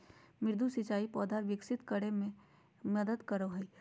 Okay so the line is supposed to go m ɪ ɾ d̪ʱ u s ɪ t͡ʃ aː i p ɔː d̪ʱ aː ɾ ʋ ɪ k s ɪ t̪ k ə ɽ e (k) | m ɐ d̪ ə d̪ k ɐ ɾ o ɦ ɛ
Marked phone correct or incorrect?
incorrect